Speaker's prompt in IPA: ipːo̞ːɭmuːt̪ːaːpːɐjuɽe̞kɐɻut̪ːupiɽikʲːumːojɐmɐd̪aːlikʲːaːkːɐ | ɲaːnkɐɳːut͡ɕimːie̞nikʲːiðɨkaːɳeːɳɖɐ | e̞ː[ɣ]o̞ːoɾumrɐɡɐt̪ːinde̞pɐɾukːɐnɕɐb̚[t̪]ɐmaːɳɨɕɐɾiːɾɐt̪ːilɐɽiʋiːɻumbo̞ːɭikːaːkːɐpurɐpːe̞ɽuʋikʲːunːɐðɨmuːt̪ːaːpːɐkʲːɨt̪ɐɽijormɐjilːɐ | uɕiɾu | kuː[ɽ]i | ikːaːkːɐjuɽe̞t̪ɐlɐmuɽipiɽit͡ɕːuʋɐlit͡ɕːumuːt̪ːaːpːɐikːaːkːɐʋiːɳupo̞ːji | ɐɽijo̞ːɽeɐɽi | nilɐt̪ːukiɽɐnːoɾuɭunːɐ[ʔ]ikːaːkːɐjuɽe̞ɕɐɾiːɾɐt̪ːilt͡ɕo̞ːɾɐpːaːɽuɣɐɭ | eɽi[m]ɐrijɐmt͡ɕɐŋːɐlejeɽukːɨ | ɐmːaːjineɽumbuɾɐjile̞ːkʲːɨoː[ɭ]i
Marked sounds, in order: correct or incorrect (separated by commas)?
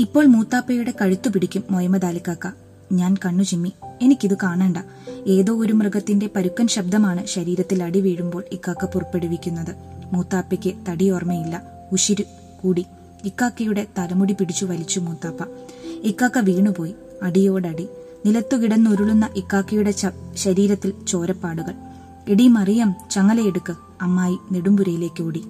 incorrect, incorrect, correct, correct, correct, incorrect